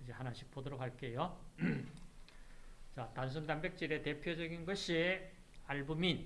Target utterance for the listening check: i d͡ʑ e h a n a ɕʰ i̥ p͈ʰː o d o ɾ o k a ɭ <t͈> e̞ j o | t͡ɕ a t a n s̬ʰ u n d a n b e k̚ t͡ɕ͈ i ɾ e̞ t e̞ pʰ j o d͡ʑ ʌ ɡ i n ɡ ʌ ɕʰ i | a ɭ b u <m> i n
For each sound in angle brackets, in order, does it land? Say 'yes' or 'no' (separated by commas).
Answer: no, yes